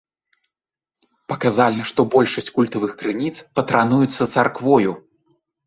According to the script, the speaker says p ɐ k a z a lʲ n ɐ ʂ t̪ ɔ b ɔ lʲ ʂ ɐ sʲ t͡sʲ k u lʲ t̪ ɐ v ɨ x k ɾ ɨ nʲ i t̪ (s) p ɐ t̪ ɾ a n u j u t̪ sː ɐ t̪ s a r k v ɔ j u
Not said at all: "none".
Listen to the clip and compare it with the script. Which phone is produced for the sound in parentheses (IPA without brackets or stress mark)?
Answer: s